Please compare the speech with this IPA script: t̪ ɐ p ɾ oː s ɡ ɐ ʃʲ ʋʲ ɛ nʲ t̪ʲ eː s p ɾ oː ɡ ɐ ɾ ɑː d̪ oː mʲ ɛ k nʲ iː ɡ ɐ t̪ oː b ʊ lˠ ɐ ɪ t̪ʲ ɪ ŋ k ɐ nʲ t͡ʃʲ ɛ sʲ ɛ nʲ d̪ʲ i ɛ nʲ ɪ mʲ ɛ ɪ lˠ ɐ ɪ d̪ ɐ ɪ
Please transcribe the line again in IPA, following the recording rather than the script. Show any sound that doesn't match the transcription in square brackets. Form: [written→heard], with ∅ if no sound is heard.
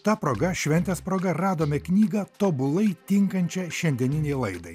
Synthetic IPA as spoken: t̪ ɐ p ɾ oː [s→∅] ɡ ɐ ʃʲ ʋʲ ɛ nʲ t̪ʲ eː s p ɾ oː ɡ ɐ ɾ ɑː d̪ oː mʲ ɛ k nʲ iː ɡ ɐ t̪ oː b ʊ lˠ ɐ ɪ t̪ʲ ɪ ŋ k ɐ nʲ t͡ʃʲ ɛ [sʲ→ʃʲ] ɛ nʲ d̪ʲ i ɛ nʲ ɪ [mʲ→nʲ] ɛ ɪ lˠ ɐ ɪ d̪ ɐ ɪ